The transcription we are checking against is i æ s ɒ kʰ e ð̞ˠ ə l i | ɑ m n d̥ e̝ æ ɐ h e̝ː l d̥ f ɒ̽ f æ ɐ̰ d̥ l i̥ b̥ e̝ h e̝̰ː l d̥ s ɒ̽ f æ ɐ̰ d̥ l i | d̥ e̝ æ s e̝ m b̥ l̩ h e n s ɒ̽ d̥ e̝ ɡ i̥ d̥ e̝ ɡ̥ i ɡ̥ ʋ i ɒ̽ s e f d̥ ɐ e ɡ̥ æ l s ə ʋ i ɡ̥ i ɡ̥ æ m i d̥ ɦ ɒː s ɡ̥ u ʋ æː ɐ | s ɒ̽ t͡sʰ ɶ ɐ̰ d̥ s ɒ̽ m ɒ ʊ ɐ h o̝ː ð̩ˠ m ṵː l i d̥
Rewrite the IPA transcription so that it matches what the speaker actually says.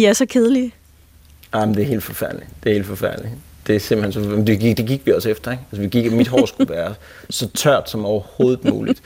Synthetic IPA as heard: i æ s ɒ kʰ e ð̞ˠ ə l i | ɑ m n d̥ e̝ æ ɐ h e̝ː l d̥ f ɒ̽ f æ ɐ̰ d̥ l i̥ d̥ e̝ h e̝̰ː l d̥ f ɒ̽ f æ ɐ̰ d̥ l i | d̥ e̝ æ s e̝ m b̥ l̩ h e n s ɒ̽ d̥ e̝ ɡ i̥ d̥ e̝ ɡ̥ i ɡ̥ ʋ i ɒ̽ s e f d̥ ɐ e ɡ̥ æ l s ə ʋ i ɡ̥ i ɡ̥ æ m i d̥ ɦ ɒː s ɡ̥ u ʋ æː ɐ | s ɒ̽ t͡sʰ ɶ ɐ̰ d̥ s ɒ̽ m ɒ ʊ ɐ h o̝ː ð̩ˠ m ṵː l i d̥